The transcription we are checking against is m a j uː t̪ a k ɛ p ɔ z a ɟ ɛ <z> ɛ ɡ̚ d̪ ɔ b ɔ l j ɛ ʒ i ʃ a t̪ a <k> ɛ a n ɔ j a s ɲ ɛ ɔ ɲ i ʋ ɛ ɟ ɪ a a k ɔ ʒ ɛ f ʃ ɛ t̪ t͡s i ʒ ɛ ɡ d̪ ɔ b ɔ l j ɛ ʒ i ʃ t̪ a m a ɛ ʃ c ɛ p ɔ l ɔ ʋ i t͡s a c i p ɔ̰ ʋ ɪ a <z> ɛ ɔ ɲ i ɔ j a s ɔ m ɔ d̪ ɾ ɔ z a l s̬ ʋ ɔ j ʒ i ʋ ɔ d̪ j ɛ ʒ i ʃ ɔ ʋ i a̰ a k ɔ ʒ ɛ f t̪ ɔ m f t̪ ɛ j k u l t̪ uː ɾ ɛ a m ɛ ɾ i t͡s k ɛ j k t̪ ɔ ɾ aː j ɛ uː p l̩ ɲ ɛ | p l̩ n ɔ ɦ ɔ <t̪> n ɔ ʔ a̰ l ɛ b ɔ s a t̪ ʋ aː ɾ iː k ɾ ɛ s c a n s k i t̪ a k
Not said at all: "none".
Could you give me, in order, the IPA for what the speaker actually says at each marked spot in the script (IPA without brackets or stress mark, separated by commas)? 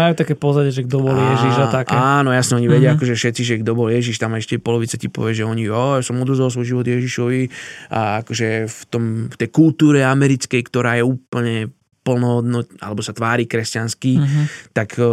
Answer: ʒ, k, ʒ, d̪